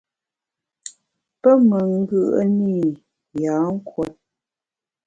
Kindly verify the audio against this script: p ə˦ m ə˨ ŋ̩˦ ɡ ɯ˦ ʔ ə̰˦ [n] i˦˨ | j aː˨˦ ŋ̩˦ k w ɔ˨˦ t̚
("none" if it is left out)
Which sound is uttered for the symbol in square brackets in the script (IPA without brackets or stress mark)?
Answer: n